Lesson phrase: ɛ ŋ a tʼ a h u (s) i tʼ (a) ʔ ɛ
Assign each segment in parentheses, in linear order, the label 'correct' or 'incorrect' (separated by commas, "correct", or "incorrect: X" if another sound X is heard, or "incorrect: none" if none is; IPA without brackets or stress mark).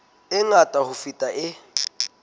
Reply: incorrect: f, correct